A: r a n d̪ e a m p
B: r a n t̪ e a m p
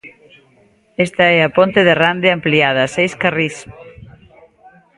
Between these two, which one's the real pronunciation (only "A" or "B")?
A